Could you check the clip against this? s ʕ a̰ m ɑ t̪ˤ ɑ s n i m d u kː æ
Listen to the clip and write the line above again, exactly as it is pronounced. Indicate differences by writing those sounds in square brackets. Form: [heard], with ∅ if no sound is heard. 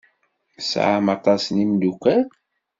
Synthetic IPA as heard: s ʕ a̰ m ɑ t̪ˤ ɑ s n i m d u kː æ